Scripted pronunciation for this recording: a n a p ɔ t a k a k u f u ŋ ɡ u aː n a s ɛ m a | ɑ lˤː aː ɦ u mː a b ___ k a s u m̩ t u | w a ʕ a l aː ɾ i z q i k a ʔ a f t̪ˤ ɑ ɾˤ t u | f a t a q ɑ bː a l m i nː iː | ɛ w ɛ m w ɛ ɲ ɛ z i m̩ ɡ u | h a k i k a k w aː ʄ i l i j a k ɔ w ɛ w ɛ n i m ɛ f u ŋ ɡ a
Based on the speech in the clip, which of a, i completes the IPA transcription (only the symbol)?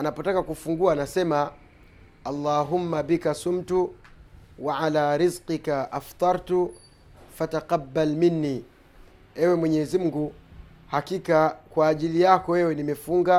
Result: i